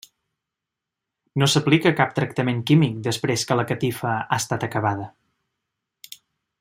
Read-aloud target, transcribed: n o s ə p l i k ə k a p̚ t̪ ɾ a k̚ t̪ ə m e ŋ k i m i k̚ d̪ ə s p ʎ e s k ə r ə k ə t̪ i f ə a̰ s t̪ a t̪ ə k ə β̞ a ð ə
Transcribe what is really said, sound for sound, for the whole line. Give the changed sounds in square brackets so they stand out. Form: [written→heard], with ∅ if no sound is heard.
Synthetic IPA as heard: n o s ə p l i k ə k a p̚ t̪ ɾ [a→ə] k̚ t̪ ə m e ŋ k i m i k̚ d̪ ə s p [ʎ→ɾ] e s k ə [r→l] ə k ə t̪ i f ə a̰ s t̪ a t̪ ə k ə β̞ a ð ə